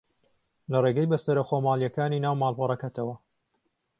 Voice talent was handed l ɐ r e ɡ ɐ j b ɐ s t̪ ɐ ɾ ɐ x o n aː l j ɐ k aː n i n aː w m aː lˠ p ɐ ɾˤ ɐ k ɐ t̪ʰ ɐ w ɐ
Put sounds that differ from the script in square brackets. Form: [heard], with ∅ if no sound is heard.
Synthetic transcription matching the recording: l ɐ r e ɡ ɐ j b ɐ s t̪ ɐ ɾ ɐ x o [m] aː l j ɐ k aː n i n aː w m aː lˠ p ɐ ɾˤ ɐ k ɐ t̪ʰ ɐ w ɐ